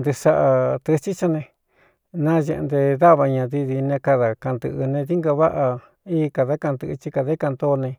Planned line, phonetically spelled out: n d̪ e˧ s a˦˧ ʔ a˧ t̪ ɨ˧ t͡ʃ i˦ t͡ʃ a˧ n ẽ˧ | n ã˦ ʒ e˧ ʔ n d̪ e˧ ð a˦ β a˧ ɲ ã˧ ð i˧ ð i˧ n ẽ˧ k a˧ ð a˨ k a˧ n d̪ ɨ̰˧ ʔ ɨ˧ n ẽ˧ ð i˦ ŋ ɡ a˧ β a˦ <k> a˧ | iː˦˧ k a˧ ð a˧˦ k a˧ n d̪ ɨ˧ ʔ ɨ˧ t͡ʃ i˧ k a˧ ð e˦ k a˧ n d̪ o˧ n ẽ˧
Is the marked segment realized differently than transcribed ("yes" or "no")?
yes